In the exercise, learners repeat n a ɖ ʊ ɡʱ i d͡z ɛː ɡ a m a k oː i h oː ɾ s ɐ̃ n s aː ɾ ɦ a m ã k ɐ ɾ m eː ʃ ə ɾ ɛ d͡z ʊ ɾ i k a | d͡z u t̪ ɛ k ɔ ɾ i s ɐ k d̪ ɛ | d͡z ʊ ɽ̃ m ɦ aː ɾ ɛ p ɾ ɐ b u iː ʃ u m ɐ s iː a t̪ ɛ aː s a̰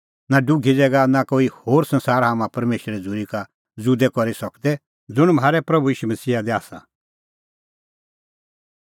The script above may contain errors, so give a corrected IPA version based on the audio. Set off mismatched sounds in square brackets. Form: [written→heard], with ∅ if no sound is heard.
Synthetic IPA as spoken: n a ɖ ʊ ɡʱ i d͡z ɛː ɡ a [m→n] a k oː i h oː ɾ s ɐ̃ n s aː ɾ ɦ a m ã [k→p] ɐ ɾ m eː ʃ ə ɾ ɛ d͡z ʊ ɾ i k a | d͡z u [t̪→d̪] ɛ k ɔ ɾ i s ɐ k d̪ ɛ | d͡z ʊ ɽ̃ m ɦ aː ɾ ɛ p ɾ ɐ b u iː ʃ u m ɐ s iː a [t̪→d̪] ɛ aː s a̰

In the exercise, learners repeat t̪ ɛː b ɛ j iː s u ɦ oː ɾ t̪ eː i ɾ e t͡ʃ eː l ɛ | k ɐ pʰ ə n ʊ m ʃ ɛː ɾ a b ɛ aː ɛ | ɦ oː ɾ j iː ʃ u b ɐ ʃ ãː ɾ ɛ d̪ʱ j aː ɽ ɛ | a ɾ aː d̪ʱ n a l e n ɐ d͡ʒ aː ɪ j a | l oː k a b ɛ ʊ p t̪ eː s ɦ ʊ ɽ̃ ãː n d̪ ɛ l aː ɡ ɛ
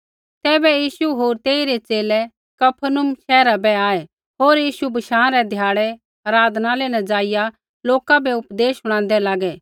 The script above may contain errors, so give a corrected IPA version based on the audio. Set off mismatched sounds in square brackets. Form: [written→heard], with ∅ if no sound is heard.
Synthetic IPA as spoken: t̪ ɛː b ɛ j iː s u ɦ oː ɾ t̪ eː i ɾ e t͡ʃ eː l ɛ | k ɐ pʰ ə n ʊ m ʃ ɛː ɾ a b ɛ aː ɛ | ɦ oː ɾ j iː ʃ u b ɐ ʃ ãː ɾ ɛ d̪ʱ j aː ɽ ɛ | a ɾ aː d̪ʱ n a l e n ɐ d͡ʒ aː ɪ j a | l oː k a b ɛ ʊ p [t̪→d̪] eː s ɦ ʊ ɽ̃ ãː n d̪ ɛ l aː ɡ ɛ

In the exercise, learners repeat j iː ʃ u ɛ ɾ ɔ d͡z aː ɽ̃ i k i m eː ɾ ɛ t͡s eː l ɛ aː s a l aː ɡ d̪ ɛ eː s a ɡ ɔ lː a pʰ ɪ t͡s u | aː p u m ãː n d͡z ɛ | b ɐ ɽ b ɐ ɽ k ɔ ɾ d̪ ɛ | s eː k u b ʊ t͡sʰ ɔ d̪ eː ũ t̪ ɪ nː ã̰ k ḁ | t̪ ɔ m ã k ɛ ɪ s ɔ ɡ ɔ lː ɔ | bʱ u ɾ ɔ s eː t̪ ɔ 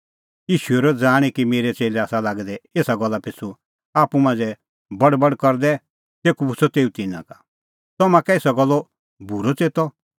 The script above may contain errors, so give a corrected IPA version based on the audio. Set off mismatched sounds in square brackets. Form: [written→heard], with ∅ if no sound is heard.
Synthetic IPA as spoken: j iː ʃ u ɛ ɾ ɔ d͡z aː ɽ̃ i k i m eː ɾ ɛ t͡s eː l ɛ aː s a l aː ɡ d̪ ɛ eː s a ɡ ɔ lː a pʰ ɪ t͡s u | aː p u m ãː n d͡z ɛ | b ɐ ɽ b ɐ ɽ k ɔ ɾ d̪ ɛ | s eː k u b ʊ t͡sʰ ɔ [d̪→t̪] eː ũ t̪ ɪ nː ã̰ k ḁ | t̪ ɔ m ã k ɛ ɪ s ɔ ɡ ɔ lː ɔ | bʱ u ɾ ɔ [s→t͡s] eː t̪ ɔ

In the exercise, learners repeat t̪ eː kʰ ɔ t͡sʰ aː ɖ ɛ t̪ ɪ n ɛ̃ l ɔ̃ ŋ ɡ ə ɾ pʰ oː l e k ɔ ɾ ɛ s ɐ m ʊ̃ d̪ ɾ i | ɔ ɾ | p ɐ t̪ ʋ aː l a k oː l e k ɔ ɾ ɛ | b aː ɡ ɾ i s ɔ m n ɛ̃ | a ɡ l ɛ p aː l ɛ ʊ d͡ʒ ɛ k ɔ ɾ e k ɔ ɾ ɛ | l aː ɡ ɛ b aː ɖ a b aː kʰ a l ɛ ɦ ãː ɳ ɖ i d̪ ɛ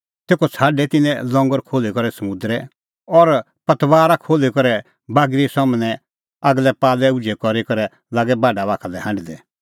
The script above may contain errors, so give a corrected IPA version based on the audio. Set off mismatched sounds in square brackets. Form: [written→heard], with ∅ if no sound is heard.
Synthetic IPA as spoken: t̪ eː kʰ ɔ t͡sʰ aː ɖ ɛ t̪ ɪ n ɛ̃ l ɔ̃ ŋ ɡ ə ɾ [pʰ→kʰ] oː l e k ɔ ɾ ɛ s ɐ m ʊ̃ d̪ ɾ [i→ɛ] | ɔ ɾ | p ɐ t̪ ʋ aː [l→ɾ] a [k→kʰ] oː l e k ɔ ɾ ɛ | b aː ɡ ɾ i s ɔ m n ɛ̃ | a ɡ l ɛ p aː l ɛ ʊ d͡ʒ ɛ k ɔ ɾ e k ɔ ɾ ɛ | l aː ɡ ɛ b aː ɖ a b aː kʰ a l ɛ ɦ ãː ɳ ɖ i d̪ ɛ

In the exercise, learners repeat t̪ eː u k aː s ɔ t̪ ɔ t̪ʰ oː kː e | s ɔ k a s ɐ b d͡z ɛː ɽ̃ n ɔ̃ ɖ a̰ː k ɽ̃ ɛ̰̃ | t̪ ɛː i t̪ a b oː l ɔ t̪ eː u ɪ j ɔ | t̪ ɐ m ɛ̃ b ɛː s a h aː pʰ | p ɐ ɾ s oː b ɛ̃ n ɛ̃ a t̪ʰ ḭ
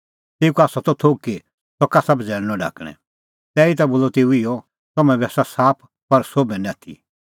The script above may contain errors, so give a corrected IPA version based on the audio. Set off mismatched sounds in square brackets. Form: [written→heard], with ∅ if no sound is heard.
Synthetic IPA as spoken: t̪ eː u k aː s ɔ t̪ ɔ t̪ʰ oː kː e | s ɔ k a s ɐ b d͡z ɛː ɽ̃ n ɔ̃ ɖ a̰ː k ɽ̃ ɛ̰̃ | t̪ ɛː i t̪ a b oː l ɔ t̪ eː u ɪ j ɔ | t̪ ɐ m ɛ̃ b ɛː s a [h→s] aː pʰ | p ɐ ɾ s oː b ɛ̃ n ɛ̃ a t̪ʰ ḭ

